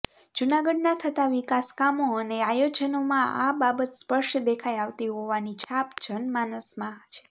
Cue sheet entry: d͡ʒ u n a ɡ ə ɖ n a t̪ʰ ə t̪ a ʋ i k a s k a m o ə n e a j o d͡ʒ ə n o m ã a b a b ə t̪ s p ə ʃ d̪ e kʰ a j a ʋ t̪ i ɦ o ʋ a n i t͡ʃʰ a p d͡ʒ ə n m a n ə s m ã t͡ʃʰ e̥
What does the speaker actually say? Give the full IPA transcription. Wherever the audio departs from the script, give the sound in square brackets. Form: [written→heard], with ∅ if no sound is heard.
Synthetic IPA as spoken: d͡ʒ u n a ɡ ə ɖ n a t̪ʰ ə t̪ a ʋ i k a s k a m o ə n e a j o d͡ʒ ə n o m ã a b a b ə t̪ s p ə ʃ d̪ e kʰ a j a ʋ t̪ i ɦ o ʋ a n i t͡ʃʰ a p d͡ʒ ə n m a n ə s m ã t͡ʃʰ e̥